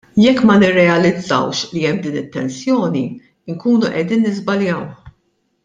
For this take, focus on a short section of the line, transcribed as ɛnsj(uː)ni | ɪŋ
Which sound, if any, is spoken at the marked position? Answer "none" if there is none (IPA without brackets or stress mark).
ɔː